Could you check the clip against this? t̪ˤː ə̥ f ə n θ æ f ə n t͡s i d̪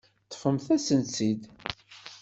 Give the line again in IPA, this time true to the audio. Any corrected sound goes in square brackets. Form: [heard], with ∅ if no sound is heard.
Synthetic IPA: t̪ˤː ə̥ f ə [m] θ æ [s] ə n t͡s i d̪